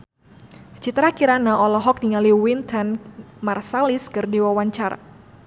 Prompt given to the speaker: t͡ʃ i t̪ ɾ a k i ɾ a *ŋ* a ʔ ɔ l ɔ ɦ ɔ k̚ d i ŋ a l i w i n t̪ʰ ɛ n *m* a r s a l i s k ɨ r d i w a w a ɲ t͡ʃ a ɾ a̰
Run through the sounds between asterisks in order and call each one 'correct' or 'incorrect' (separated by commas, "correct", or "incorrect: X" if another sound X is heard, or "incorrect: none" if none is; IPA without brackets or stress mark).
incorrect: n, correct